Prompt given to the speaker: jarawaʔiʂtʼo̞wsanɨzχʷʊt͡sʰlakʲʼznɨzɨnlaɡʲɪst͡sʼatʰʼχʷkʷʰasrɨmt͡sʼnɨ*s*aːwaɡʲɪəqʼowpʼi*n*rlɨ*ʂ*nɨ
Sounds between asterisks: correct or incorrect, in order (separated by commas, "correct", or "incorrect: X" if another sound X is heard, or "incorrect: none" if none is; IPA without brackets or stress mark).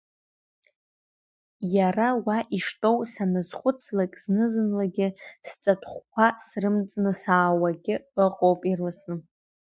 correct, incorrect: none, incorrect: s